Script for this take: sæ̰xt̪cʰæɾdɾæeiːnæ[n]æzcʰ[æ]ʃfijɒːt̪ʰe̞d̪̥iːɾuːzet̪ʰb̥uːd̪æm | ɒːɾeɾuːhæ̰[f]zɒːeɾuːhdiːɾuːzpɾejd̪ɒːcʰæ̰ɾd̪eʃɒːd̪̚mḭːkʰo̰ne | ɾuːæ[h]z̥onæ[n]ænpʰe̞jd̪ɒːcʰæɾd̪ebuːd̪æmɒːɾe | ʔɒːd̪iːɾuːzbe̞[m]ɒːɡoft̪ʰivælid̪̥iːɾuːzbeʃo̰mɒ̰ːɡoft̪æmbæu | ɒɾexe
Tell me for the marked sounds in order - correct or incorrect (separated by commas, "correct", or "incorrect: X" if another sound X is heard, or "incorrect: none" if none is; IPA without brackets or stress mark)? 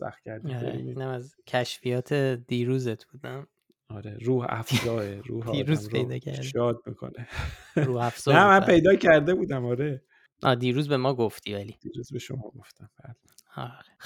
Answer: incorrect: m, correct, correct, incorrect: f, incorrect: m, correct